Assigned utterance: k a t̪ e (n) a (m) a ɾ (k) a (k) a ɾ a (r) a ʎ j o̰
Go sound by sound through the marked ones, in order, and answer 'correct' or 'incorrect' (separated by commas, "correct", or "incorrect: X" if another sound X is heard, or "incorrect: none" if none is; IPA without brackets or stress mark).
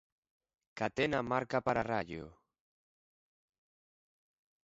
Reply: correct, correct, correct, incorrect: p, correct